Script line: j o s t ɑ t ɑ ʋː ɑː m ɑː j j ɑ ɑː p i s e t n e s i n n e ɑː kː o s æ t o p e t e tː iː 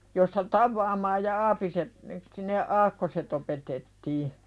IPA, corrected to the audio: j o s t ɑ t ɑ ʋː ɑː m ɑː j j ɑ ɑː p i s e t n e s i n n e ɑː kː o s e t o p e t e tː iː